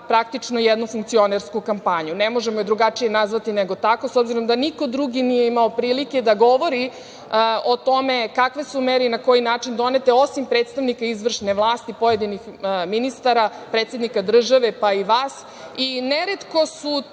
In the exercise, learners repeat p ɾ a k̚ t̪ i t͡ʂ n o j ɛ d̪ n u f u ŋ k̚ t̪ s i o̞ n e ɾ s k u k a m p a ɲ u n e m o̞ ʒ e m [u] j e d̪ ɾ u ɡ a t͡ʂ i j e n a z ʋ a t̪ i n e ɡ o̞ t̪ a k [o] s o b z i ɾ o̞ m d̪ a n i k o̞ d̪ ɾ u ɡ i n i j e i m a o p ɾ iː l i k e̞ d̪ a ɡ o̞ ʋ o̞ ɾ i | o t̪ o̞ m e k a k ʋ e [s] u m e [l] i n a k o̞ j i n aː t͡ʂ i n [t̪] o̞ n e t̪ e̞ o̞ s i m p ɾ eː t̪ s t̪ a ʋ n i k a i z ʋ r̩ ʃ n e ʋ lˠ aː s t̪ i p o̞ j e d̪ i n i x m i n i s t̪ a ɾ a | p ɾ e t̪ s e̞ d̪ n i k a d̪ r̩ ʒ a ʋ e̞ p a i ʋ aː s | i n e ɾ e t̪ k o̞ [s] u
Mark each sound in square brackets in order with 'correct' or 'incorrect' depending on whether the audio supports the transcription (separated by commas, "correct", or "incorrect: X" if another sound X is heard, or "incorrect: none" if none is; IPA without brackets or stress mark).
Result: incorrect: o, correct, correct, incorrect: ɾ, incorrect: d̪, correct